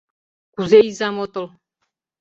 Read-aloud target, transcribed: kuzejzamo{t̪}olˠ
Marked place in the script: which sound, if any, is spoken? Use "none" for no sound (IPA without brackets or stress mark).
t̪